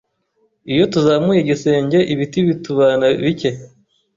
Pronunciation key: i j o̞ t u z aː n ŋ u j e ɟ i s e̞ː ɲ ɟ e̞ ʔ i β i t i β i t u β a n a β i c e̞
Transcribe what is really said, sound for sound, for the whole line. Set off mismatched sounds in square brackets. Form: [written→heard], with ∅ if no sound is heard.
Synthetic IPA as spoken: i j o̞ t u z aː [n→m] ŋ u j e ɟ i s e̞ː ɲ ɟ e̞ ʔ i β i t i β i t u β a n a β i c e̞